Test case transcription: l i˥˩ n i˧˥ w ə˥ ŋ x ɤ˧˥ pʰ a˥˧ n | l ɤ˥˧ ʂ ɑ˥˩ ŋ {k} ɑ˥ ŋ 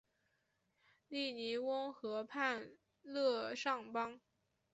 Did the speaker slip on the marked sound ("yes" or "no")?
yes